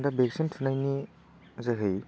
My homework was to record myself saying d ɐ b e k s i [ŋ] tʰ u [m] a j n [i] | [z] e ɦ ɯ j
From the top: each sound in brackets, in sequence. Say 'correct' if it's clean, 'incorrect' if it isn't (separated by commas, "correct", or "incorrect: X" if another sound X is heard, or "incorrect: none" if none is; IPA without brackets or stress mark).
incorrect: n, incorrect: n, correct, correct